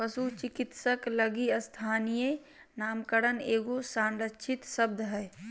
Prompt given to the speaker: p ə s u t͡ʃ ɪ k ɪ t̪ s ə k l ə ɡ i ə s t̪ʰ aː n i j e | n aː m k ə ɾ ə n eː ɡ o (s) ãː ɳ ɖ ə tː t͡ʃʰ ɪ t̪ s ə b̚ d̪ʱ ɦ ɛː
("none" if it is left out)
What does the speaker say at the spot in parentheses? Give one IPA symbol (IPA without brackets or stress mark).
s